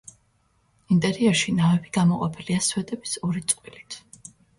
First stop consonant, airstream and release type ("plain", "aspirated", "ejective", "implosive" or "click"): ejective